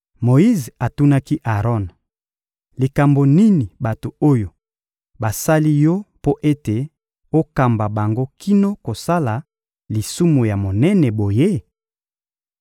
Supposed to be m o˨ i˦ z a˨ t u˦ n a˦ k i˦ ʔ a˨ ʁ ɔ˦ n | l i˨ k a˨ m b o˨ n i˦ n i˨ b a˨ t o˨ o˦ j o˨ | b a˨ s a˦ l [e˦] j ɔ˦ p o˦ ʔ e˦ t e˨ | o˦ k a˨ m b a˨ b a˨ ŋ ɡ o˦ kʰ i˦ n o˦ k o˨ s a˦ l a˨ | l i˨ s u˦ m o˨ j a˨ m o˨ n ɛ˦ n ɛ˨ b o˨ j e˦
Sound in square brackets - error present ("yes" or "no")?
yes